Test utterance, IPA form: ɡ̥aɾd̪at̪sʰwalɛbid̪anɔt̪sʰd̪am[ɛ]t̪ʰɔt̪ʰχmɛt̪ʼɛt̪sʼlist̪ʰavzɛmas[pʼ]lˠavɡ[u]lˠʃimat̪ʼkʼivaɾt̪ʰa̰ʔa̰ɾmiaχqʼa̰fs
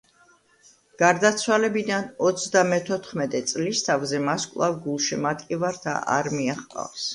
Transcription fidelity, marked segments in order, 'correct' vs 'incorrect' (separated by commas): correct, incorrect, correct